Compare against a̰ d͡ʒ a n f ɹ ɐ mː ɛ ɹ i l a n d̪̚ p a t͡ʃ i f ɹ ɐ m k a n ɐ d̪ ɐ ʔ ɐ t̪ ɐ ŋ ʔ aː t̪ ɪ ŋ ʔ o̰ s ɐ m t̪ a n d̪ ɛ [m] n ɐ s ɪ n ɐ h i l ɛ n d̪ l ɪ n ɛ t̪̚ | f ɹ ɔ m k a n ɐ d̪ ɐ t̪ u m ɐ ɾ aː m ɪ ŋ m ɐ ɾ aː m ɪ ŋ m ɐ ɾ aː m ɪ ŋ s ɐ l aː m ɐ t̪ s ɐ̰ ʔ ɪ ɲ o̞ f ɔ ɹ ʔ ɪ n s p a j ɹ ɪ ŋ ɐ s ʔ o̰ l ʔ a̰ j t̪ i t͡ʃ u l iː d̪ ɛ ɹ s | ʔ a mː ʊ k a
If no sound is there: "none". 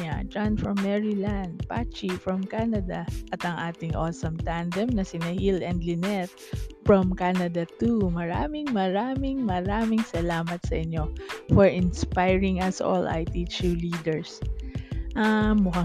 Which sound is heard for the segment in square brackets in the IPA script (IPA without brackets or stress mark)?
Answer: m